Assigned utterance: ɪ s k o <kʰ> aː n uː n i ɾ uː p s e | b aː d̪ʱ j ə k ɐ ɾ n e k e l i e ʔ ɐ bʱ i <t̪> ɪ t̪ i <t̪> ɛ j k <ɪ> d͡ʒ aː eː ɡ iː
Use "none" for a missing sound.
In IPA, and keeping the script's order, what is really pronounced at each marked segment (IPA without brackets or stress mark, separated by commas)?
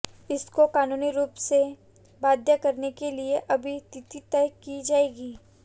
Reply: k, t̪, t̪, i